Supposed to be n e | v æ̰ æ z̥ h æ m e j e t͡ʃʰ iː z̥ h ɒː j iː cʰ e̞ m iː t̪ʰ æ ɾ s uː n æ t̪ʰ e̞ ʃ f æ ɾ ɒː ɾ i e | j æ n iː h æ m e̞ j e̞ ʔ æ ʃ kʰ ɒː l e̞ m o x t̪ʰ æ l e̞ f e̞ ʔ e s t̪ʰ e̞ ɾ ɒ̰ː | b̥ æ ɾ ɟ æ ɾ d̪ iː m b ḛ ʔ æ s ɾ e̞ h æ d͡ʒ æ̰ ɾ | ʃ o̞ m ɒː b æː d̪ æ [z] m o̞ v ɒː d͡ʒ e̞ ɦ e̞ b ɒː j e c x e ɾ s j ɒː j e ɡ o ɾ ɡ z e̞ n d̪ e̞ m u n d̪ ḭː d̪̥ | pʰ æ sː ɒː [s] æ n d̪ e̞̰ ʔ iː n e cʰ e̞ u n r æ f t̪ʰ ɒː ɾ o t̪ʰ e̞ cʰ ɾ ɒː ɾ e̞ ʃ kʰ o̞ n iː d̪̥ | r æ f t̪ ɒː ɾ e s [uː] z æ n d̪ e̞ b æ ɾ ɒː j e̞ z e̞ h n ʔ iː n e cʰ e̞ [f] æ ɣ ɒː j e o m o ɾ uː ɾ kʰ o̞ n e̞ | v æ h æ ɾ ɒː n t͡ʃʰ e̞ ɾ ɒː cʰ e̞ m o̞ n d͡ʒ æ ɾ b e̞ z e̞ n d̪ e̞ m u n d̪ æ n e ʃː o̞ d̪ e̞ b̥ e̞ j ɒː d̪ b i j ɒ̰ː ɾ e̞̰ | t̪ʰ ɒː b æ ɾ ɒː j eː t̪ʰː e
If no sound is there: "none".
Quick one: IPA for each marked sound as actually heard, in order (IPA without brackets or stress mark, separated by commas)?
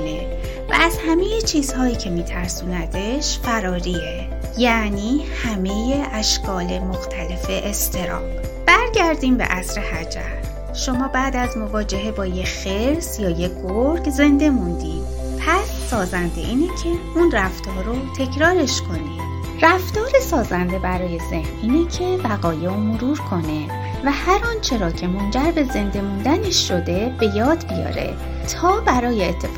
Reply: z, z, ɒː, v